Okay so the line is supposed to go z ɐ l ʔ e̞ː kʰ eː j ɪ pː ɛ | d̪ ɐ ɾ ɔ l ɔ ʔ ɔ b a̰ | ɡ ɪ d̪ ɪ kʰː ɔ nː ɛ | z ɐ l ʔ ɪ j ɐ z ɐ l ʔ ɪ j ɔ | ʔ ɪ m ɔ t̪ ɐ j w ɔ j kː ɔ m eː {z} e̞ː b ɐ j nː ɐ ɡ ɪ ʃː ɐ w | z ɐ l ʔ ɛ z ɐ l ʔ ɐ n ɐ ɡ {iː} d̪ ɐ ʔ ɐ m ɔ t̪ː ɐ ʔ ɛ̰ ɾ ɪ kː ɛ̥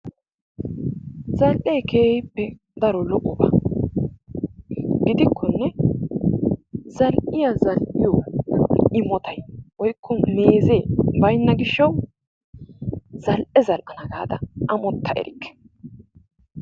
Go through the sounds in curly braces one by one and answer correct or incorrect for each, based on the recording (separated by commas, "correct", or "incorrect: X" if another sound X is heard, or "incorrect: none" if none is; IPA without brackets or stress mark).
correct, incorrect: aː